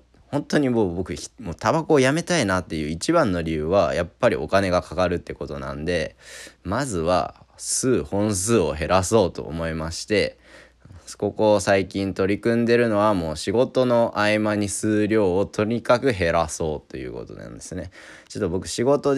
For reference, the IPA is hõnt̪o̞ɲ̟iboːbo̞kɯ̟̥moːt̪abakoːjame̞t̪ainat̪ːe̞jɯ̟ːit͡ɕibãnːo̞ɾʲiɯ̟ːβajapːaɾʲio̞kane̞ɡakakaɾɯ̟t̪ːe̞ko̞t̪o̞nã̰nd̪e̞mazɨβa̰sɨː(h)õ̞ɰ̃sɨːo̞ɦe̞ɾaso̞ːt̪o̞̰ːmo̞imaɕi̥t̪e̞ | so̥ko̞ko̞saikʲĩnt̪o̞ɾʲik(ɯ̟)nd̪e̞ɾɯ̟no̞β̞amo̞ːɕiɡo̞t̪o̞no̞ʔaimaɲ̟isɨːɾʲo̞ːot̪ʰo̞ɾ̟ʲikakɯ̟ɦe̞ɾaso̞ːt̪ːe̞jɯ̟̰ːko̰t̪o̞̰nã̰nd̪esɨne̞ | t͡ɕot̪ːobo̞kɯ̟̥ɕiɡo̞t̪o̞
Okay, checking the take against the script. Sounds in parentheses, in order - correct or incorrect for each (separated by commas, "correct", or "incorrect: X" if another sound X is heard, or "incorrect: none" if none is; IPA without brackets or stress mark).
correct, incorrect: ɯ̟̃